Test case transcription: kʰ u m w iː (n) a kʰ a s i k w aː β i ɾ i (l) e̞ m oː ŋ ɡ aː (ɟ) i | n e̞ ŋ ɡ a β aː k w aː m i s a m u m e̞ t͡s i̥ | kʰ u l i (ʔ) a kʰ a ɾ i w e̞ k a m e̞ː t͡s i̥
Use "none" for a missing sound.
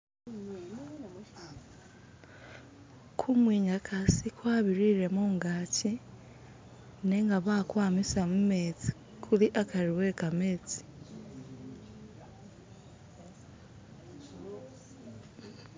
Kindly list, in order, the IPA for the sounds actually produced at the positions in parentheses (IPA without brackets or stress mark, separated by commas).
ɲ, ɾ, c, ʔ